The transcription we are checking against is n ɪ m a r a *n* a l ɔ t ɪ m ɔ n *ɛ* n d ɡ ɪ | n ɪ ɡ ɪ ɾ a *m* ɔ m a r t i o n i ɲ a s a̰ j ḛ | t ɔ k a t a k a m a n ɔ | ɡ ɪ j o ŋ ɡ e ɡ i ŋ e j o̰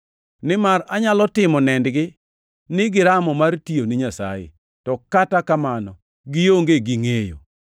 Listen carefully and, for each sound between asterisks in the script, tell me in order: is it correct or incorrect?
incorrect, correct, correct

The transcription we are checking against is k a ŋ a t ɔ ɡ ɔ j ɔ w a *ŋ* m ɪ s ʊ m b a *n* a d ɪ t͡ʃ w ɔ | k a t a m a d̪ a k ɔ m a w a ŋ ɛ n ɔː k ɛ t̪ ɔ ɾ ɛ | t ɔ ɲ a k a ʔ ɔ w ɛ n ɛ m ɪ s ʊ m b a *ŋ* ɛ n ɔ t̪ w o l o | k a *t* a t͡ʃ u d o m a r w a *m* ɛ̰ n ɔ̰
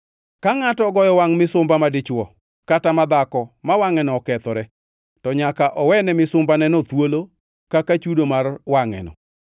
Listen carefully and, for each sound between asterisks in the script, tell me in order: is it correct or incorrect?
correct, incorrect, incorrect, incorrect, incorrect

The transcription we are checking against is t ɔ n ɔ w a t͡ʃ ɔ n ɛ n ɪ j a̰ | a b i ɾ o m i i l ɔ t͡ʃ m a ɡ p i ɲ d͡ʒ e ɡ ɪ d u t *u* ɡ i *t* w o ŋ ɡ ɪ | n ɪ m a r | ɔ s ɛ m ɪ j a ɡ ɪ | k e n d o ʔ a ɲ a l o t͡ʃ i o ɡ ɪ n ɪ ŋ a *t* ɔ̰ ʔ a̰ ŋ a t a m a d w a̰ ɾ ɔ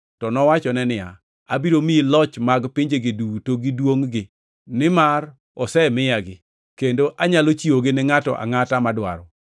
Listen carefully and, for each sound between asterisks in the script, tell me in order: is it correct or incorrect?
incorrect, incorrect, correct

